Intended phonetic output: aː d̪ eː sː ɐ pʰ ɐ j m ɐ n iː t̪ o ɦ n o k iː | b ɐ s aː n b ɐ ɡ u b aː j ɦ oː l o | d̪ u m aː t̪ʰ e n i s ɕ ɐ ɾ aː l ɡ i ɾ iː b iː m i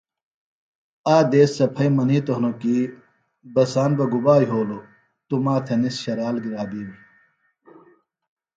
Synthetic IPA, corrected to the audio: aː d̪ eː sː ɐ pʰ ɐ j m ɐ n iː t̪ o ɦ n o k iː | b ɐ s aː n b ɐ ɡ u b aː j ɦ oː l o | t̪ u m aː t̪ʰ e n i s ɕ ɐ ɾ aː l ɡ i ɾ aː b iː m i

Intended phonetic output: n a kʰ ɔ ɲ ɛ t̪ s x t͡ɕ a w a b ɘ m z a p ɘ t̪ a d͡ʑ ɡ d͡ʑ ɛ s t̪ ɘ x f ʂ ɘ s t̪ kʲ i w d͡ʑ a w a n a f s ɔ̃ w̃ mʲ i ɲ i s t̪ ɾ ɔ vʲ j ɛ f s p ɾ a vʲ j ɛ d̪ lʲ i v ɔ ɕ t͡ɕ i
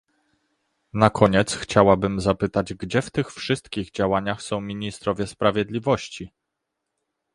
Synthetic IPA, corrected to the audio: n a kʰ ɔ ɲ ɛ t̪ s x t͡ɕ a w a b ɘ m z a p ɘ t̪ a d͡ʑ ɡ d͡ʑ ɛ f t̪ ɘ x f ʂ ɘ s t̪ kʲ i ɣ d͡ʑ a w a ɲ a x s ɔ̃ w̃ mʲ i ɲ i s t̪ ɾ ɔ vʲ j ɛ s p ɾ a vʲ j ɛ d̪ lʲ i v ɔ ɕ t͡ɕ i

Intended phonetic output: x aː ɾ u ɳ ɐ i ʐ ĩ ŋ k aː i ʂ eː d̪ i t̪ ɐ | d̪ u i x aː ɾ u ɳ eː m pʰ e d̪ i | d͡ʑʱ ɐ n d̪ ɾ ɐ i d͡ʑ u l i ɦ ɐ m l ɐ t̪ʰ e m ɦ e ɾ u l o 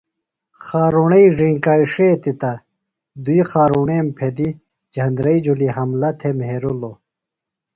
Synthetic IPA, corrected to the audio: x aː ɾ u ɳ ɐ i ʐ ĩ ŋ k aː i ʂ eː t̪ i t̪ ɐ | d̪ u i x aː ɾ u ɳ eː m pʰ e d̪ i | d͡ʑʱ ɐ n d̪ ɾ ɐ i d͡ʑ u l i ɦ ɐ m l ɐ t̪ʰ e m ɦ e ɾ u l o

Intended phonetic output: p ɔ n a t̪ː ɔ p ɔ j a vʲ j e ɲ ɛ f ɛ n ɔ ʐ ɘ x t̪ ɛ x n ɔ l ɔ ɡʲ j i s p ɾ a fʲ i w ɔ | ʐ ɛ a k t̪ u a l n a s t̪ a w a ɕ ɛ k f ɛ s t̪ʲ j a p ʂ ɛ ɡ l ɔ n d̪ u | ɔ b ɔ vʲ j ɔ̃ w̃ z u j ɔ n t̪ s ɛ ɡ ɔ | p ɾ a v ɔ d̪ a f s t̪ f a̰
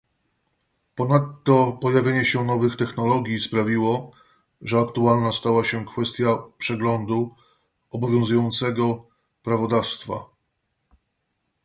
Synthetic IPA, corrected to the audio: p ɔ n a t̪ː ɔ p ɔ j a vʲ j e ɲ ɛ ɕ ɛ n ɔ v ɘ x t̪ ɛ x n ɔ l ɔ ɡʲ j i s p ɾ a vʲ i w ɔ | ʐ ɛ a k t̪ u a l n a s t̪ a w a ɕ ɛ k f ɛ s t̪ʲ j a p ʂ ɛ ɡ l ɔ n d̪ u | ɔ b ɔ vʲ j ɔ̃ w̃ z u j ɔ n t̪ s ɛ ɡ ɔ | p ɾ a v ɔ d̪ a f s t̪ f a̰

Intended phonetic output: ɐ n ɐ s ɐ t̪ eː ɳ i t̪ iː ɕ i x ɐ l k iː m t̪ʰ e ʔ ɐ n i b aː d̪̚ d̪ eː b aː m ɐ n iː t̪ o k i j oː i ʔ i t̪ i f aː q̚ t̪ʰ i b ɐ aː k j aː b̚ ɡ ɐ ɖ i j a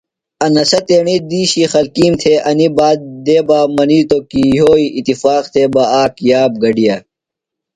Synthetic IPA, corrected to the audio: ɐ n ɐ s ɐ t̪ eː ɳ i d̪ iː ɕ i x ɐ l k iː m t̪ʰ e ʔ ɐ n i b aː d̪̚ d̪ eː b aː m ɐ n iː t̪ o k i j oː i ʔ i t̪ i f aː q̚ t̪ʰ e b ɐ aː k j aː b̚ ɡ ɐ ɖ i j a

